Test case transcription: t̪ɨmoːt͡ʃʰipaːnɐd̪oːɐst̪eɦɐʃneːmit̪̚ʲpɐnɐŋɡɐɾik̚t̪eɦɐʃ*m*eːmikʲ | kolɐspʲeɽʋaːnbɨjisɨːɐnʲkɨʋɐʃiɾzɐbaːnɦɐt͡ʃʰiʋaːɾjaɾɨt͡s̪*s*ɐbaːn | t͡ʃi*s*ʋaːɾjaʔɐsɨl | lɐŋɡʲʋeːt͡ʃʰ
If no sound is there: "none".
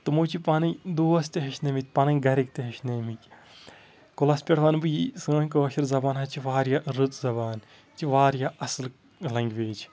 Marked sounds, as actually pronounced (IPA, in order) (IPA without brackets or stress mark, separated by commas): n, z, none